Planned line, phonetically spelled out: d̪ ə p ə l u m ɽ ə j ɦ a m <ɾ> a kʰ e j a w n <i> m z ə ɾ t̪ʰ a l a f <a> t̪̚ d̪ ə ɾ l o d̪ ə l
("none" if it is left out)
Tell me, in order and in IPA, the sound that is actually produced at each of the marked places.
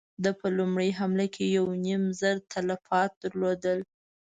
l, i, ɑ

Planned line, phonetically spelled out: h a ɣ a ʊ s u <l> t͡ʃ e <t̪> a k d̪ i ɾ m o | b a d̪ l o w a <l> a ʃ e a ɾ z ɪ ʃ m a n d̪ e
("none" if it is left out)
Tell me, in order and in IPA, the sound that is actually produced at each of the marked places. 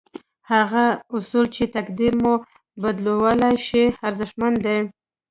l, t̪, l

